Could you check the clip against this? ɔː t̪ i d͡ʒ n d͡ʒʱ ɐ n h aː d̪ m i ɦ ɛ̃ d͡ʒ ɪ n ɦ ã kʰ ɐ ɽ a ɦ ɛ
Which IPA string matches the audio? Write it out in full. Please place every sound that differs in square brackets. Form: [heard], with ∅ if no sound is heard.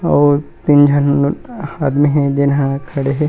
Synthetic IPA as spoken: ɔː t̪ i [∅] n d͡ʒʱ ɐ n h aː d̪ m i ɦ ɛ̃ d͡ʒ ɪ n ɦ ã kʰ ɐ ɽ [e] ɦ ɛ